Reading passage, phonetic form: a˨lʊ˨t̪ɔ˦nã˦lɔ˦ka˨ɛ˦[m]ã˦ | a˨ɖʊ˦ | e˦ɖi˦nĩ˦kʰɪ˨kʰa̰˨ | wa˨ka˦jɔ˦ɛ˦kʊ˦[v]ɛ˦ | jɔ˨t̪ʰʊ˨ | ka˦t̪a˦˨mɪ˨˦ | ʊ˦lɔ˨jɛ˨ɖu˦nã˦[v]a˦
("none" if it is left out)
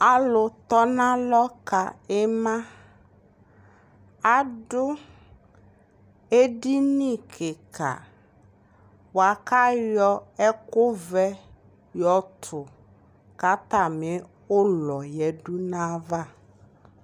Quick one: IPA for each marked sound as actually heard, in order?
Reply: m, v, v

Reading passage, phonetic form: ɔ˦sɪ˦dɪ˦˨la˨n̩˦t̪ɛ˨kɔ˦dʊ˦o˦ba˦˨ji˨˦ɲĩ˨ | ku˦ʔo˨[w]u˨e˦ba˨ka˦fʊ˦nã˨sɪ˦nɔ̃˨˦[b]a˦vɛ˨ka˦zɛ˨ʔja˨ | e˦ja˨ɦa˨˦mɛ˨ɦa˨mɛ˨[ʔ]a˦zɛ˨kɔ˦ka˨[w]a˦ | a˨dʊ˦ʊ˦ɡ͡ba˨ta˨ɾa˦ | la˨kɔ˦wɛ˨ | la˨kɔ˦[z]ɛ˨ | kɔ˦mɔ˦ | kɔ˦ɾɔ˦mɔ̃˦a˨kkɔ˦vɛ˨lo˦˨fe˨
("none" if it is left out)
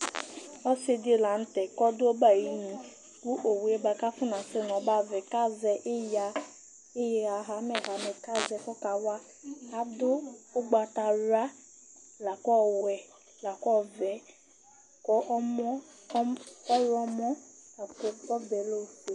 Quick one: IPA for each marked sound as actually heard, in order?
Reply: w, b, k, w, v

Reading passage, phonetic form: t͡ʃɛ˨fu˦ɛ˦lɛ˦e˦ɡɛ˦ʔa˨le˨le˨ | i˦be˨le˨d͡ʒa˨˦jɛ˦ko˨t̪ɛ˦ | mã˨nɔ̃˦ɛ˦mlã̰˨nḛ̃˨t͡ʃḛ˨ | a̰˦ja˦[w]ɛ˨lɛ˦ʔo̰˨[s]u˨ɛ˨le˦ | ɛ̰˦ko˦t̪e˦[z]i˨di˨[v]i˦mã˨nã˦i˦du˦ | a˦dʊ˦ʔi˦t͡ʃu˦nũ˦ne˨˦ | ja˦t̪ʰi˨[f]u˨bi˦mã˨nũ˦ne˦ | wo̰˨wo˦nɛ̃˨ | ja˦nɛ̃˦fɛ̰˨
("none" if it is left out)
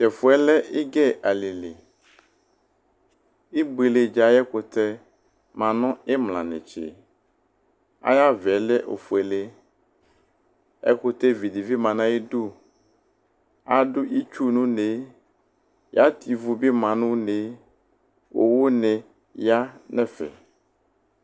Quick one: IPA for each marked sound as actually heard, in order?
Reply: v, f, v, v, v

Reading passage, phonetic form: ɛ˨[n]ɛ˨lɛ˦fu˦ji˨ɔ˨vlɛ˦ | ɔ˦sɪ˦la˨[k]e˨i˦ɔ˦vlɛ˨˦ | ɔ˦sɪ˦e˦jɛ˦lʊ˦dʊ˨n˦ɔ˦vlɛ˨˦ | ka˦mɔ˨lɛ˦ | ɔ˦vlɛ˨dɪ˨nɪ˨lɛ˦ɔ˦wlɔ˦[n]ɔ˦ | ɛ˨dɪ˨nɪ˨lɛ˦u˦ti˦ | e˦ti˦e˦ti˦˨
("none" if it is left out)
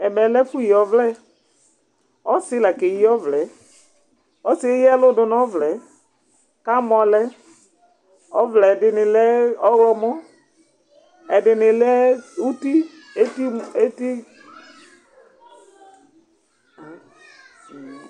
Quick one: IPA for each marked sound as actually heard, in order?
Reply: m, k, m

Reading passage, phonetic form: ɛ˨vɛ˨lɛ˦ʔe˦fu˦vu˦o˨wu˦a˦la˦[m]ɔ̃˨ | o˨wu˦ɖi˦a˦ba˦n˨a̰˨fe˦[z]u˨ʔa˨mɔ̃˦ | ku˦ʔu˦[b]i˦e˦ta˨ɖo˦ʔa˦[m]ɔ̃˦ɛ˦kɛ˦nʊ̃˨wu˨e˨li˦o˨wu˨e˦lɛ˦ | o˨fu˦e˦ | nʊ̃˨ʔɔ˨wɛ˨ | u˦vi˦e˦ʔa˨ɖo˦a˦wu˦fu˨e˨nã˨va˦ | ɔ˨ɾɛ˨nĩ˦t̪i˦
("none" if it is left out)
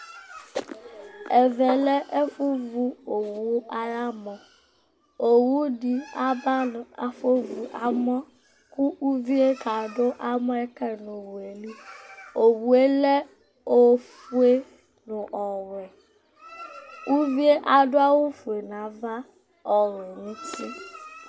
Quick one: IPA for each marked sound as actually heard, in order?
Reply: m, v, v, m

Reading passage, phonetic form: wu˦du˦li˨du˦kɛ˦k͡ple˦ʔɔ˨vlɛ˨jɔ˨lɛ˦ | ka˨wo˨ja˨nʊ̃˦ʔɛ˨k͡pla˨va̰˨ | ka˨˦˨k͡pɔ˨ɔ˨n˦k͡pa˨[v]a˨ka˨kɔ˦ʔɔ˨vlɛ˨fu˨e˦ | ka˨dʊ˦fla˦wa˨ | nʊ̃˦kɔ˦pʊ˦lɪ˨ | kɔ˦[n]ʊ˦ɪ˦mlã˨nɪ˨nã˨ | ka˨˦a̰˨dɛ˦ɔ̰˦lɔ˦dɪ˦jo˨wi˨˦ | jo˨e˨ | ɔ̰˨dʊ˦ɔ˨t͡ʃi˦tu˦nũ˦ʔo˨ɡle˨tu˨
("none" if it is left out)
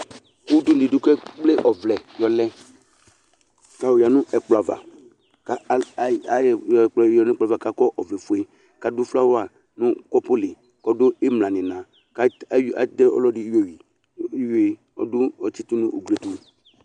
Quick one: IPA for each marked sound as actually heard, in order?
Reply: v, d

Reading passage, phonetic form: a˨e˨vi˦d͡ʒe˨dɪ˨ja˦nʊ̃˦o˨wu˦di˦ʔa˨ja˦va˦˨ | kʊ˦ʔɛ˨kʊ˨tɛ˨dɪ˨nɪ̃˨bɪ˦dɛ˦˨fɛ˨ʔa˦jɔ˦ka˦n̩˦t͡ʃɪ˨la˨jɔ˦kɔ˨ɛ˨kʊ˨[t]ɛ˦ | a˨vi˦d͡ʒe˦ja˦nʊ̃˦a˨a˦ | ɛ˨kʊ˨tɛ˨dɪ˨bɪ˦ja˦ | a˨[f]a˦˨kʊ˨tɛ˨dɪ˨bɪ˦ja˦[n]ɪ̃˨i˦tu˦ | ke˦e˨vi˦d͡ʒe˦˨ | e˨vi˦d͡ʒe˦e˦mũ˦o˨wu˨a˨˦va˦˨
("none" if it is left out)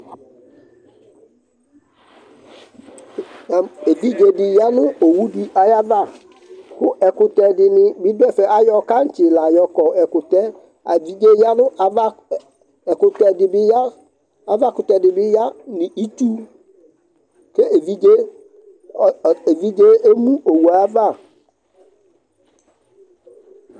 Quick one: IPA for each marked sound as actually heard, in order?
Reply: t, v, n

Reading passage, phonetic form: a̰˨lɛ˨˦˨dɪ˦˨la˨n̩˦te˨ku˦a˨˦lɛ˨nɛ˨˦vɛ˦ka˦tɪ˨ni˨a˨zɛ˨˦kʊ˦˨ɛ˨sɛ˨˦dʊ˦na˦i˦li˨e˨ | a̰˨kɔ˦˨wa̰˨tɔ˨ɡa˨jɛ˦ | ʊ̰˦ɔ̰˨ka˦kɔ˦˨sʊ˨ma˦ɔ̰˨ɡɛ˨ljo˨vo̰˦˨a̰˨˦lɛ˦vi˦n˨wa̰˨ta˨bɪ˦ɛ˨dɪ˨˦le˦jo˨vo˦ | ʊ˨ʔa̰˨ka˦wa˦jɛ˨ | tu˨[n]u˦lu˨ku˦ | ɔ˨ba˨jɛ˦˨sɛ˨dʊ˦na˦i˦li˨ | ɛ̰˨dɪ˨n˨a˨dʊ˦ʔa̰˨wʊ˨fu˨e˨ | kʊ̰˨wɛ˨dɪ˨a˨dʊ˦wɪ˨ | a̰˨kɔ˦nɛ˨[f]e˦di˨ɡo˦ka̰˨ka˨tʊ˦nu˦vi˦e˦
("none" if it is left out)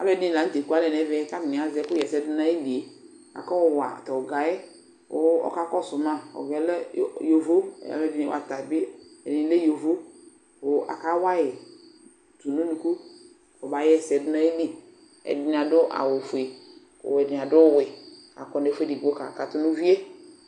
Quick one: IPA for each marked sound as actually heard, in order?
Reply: n, f

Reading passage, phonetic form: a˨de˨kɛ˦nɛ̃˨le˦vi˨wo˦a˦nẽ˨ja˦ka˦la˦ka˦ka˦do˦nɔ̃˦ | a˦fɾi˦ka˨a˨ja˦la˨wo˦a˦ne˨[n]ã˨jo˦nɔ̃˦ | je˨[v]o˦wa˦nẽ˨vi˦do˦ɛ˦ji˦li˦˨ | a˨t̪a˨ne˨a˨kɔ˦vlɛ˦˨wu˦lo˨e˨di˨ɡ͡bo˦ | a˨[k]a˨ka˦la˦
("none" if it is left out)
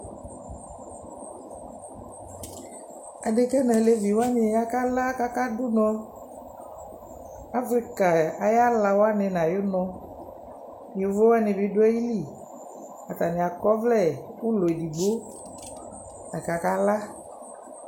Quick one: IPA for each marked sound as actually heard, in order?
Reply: n, v, k

